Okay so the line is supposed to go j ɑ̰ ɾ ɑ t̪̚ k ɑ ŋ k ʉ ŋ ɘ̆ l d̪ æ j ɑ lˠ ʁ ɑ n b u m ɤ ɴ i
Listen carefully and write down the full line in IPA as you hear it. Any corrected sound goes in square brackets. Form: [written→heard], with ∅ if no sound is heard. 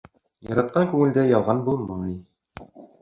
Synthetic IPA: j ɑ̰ ɾ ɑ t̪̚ [k→q] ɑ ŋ k ʉ ŋ ɘ̆ l d̪ æ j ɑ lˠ ʁ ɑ n b u m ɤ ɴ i